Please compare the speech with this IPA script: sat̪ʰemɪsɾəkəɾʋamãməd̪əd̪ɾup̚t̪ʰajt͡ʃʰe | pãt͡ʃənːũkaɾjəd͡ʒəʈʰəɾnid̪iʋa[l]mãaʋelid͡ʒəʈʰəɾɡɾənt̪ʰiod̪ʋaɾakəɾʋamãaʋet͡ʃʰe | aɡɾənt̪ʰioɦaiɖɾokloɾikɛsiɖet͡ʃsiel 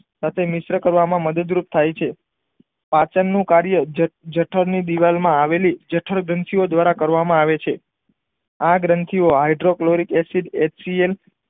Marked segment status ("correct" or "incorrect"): correct